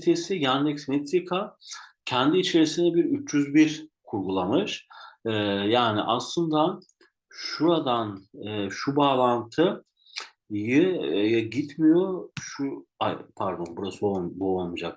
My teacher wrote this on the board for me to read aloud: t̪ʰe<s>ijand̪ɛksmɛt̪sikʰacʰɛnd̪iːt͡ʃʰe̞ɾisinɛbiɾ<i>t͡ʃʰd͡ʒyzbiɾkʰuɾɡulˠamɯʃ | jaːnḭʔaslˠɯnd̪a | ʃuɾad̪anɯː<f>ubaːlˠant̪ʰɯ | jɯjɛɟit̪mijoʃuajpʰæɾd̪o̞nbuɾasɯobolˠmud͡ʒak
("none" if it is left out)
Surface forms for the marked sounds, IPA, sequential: s, y, ʃ

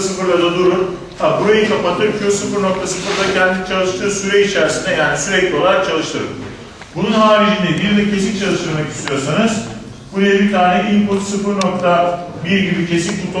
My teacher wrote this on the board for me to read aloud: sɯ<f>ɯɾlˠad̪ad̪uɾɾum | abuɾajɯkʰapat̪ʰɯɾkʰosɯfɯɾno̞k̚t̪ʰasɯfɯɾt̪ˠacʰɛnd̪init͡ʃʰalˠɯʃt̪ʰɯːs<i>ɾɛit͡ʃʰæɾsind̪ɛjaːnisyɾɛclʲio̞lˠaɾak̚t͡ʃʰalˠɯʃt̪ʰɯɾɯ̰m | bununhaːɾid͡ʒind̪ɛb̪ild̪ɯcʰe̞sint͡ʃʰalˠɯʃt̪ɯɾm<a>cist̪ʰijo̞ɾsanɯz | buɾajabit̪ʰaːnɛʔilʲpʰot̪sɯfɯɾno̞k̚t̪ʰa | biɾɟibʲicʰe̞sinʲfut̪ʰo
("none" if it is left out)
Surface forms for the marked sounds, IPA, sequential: f, y, a

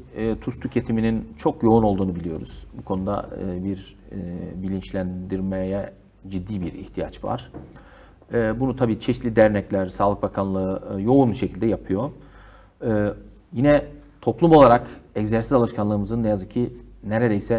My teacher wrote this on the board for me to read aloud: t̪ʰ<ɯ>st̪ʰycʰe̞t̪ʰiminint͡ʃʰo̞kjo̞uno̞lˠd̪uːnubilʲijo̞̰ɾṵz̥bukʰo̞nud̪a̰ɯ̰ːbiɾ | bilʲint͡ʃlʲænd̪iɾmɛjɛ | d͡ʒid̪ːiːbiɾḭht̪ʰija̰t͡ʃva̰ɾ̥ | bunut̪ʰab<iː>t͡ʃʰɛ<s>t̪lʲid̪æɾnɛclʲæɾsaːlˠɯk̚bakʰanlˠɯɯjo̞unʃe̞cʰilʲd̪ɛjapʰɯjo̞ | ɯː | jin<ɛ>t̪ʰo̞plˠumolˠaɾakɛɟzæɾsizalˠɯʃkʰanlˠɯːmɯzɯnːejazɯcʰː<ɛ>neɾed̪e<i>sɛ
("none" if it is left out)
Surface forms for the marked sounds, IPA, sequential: u, iː, ʃ, ɛ, i, j

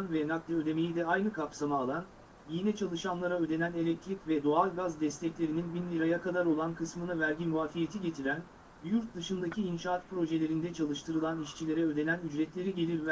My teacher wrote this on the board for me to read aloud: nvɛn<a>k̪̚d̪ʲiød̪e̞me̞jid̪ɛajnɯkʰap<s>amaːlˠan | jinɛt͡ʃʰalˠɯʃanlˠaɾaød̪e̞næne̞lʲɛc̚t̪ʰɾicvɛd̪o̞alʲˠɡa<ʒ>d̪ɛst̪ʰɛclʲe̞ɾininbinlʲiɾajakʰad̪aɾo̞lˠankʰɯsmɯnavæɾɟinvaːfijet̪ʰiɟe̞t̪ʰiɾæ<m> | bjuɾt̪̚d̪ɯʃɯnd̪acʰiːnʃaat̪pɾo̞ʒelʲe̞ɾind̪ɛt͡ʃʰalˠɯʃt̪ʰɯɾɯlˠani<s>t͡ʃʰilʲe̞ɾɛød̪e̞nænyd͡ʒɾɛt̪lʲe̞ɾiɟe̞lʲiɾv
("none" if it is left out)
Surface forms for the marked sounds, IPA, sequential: a, s, z, n, ʃ

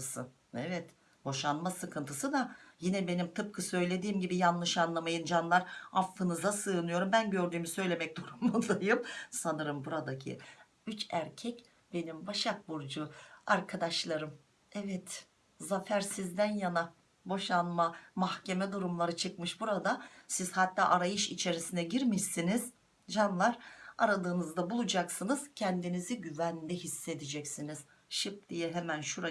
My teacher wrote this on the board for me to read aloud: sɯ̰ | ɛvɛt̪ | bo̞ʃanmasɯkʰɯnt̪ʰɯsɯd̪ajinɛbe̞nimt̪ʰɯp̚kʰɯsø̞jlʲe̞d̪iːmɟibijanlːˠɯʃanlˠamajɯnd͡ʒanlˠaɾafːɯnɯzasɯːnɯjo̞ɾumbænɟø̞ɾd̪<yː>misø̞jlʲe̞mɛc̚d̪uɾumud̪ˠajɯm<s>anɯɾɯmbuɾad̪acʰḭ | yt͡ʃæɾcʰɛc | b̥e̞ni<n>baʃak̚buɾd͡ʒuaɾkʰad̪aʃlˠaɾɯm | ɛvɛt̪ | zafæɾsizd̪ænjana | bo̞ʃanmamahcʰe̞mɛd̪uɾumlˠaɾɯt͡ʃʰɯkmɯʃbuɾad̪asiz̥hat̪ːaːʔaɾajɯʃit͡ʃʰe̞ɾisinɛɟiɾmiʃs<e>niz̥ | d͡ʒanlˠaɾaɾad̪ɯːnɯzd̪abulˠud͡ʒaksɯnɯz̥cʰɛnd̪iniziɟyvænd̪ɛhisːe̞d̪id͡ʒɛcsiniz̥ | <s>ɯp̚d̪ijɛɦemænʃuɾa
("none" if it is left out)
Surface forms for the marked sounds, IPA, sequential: yː, s, m, i, ʃ

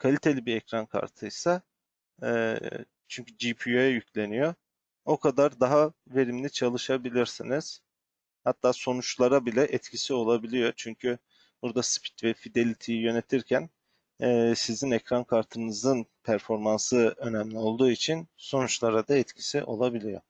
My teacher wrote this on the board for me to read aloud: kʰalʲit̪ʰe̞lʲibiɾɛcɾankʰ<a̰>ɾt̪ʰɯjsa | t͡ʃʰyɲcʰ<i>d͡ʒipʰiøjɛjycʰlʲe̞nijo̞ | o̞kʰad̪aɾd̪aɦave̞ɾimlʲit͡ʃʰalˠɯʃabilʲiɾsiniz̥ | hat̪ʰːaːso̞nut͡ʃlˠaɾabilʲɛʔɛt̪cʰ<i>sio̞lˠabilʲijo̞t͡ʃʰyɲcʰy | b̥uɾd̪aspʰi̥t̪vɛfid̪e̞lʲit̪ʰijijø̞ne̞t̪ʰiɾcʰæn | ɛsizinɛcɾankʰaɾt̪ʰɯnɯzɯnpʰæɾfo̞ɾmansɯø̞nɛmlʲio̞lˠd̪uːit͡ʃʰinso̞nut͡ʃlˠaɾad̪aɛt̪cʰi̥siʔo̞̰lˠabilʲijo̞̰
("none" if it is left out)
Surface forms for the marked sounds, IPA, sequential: a̰, y, i

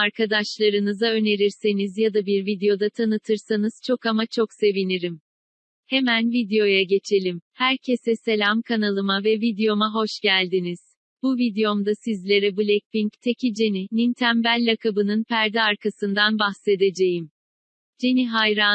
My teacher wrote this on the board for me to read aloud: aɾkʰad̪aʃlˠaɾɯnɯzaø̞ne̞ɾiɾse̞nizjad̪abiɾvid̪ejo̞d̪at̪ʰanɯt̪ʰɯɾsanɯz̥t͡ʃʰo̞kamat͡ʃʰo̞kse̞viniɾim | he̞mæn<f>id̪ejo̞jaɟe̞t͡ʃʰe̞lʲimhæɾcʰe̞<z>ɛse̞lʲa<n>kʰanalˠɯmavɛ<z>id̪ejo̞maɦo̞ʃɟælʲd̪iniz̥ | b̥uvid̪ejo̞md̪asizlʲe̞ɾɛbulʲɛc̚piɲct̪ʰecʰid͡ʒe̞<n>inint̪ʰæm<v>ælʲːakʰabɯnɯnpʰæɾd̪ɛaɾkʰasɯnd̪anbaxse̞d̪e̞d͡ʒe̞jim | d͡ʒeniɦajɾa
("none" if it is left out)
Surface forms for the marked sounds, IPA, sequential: v, s, m, v, n, b

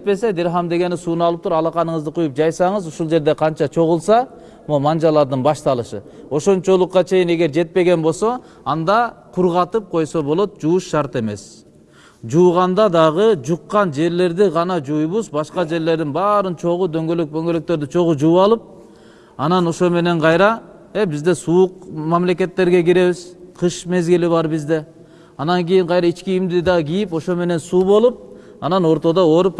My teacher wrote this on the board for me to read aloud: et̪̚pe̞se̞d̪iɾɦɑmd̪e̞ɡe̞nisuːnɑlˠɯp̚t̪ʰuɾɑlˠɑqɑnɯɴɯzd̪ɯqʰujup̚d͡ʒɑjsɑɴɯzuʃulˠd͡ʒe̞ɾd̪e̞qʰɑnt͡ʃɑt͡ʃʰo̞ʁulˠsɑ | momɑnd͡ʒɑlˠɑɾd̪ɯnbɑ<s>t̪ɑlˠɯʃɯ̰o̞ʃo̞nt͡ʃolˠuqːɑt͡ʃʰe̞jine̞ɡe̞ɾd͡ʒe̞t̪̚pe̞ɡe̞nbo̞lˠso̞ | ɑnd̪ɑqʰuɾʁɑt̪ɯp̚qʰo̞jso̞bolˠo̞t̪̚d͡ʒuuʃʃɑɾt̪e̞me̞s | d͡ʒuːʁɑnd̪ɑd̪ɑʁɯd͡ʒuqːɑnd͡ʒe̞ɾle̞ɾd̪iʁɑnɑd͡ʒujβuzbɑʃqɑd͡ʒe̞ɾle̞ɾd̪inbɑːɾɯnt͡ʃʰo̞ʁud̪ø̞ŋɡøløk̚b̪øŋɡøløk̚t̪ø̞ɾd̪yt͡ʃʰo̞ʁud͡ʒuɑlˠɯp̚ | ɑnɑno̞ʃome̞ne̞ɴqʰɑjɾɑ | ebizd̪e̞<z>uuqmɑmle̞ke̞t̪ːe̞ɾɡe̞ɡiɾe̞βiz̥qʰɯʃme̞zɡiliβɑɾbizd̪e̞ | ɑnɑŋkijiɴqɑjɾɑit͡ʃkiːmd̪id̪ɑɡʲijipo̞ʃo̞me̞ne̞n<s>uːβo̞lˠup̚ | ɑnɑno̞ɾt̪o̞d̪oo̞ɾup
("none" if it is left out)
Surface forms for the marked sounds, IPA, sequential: ʃ, s, s

